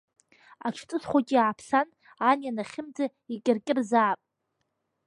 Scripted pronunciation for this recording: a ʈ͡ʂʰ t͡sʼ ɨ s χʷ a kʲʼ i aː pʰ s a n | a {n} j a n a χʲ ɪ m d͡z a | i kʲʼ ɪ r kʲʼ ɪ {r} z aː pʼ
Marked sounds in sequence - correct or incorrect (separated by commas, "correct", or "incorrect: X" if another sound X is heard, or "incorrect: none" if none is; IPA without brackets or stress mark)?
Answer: correct, correct